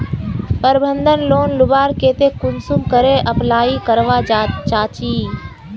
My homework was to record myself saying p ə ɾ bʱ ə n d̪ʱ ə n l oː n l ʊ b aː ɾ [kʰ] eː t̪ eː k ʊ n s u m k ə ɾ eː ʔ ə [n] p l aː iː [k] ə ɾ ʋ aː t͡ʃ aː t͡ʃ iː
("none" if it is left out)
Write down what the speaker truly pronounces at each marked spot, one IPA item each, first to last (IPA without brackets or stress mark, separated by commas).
k, none, k